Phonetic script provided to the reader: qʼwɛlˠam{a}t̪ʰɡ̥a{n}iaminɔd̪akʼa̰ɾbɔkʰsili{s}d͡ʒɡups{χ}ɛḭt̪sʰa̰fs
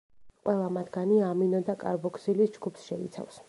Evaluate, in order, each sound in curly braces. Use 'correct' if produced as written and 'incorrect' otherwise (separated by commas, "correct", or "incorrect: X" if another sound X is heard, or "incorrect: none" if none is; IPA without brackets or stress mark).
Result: correct, correct, correct, incorrect: ʃ